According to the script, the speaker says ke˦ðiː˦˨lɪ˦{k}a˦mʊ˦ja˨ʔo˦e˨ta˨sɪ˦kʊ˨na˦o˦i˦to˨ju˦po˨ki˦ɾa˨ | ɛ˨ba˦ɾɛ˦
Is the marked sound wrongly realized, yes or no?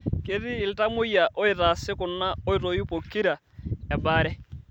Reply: yes